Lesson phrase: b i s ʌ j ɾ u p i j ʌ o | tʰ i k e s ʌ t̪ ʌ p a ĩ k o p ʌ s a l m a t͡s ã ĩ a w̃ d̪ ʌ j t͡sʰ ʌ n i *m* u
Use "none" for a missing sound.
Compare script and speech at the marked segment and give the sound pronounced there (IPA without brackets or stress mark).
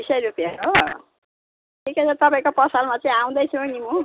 m